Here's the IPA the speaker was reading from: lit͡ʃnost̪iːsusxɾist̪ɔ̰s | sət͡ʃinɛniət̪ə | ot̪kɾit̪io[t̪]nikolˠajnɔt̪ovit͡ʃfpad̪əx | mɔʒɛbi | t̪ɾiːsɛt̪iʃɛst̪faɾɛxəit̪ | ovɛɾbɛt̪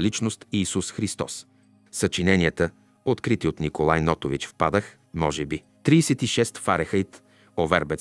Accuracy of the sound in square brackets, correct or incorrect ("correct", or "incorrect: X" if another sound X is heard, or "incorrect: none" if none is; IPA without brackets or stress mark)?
correct